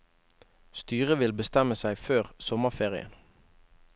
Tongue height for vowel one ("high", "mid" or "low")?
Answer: high